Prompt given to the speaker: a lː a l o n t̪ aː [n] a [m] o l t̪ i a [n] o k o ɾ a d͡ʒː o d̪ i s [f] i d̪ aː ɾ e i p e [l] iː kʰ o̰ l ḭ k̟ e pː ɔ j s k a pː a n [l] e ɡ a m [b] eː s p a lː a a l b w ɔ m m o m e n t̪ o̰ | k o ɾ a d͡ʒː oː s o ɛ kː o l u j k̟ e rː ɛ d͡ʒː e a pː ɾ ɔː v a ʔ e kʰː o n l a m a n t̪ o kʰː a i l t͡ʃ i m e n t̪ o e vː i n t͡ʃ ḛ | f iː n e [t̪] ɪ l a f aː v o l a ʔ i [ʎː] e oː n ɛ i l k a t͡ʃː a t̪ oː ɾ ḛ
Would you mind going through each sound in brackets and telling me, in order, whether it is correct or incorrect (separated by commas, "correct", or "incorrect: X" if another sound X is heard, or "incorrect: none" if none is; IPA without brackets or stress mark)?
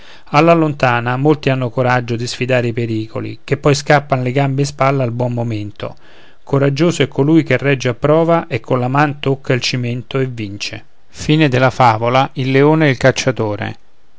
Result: correct, correct, incorrect: nː, correct, incorrect: ɾ, correct, correct, incorrect: d̪, incorrect: lː